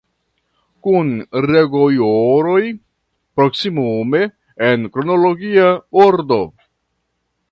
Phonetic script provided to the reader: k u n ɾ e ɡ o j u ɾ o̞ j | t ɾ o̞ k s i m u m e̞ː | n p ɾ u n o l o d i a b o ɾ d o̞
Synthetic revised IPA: k u n ɾ e ɡ o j o ɾ o̞ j | p ɾ o̞ k s i m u m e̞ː | n k ɾ o n o l o ɡ i a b o ɾ d o̞